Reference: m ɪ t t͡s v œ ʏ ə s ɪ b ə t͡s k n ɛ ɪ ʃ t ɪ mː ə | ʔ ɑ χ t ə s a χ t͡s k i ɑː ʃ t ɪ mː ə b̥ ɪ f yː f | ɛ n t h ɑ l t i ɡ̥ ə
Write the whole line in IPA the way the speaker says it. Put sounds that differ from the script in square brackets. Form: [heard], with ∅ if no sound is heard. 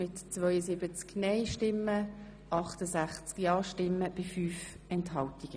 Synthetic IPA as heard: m ɪ t t͡s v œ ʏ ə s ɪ b ə t͡s k n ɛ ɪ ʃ t ɪ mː ə | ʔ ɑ χ t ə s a χ t͡s k [j] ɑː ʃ t ɪ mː ə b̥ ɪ f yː f | ɛ n t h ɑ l t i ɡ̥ ə